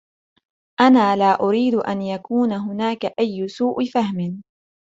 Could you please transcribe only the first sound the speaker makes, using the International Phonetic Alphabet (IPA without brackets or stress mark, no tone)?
ʔ